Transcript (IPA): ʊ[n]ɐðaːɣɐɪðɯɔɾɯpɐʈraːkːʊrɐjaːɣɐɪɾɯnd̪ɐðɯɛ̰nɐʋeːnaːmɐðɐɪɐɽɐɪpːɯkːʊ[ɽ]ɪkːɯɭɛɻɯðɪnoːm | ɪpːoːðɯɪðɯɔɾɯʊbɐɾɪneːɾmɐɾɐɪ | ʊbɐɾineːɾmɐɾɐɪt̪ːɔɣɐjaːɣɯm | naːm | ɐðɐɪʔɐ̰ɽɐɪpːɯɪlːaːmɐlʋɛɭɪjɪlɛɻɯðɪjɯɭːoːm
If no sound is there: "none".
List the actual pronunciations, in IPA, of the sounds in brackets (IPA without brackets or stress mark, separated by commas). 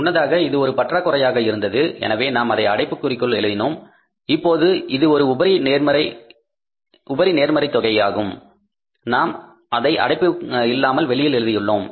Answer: nː, r